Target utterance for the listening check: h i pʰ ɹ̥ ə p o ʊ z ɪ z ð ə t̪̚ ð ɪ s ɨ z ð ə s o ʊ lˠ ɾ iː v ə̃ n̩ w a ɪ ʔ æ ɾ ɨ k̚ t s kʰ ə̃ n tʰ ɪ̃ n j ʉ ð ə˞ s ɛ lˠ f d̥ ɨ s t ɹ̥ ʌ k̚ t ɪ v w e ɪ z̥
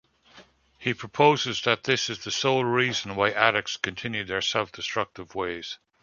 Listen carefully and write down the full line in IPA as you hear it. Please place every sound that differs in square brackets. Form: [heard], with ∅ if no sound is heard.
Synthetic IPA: h i pʰ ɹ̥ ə [pʰ] o ʊ z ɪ z ð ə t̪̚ ð ɪ s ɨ z ð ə s o ʊ lˠ [ɹ] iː [z] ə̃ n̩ w a ɪ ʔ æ ɾ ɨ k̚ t s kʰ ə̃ n tʰ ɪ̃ n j ʉ ð ə˞ s ɛ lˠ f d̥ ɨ s t ɹ̥ ʌ k̚ t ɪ v w e ɪ z̥